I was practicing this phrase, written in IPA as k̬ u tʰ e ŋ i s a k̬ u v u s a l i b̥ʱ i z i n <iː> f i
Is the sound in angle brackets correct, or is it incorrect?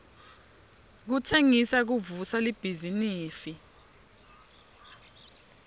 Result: correct